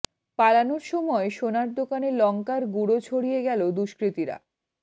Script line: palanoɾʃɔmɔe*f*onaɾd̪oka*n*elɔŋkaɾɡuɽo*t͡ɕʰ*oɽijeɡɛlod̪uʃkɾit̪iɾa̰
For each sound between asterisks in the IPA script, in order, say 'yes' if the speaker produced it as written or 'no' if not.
no, yes, yes

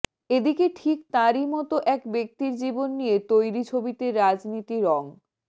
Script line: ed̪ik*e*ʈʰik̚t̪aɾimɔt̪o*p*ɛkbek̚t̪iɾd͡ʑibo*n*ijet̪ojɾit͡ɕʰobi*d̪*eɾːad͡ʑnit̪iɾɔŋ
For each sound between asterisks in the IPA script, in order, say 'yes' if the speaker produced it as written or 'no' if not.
yes, no, no, no

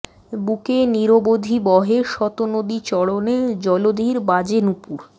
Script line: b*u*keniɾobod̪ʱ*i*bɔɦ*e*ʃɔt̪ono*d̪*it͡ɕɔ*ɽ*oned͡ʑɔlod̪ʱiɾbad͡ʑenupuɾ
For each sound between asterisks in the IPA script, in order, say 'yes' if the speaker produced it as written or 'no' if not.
yes, yes, yes, yes, yes

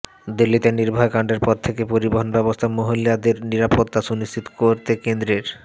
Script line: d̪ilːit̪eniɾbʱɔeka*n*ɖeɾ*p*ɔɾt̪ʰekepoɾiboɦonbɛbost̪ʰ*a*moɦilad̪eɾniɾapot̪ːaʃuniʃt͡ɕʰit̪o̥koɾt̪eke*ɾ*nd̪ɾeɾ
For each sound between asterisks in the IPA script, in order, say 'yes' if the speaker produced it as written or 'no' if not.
no, yes, yes, no

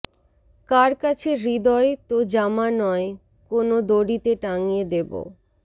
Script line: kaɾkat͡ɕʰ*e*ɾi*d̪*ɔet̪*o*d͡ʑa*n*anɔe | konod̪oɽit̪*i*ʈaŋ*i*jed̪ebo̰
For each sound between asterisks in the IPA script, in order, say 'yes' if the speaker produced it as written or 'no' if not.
yes, yes, yes, no, no, yes

